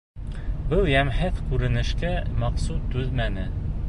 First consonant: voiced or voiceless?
voiced